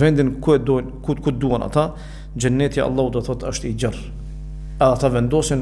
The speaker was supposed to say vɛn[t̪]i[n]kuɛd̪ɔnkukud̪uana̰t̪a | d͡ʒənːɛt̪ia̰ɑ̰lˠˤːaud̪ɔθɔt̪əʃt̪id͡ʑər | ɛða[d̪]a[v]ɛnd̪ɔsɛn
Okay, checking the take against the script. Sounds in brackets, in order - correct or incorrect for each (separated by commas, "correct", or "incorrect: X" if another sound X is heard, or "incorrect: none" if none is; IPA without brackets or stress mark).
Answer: incorrect: d̪, correct, incorrect: t̪, correct